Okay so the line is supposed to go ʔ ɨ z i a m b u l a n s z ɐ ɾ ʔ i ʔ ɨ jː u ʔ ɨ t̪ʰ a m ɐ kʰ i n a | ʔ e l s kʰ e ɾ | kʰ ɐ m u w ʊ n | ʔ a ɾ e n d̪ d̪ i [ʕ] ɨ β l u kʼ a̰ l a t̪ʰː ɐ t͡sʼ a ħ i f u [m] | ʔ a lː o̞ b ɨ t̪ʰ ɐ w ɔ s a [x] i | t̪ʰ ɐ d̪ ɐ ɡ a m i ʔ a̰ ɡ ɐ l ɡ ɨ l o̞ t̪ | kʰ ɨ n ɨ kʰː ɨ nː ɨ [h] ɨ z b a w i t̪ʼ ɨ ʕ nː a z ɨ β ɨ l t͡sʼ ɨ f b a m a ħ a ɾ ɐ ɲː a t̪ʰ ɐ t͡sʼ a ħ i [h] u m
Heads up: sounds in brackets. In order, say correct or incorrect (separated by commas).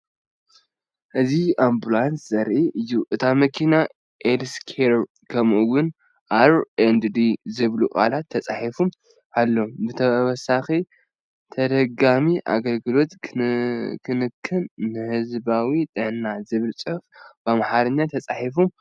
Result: incorrect, correct, correct, correct, incorrect